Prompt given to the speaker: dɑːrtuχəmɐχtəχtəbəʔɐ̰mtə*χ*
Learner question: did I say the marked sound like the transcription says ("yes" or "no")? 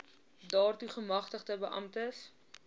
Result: no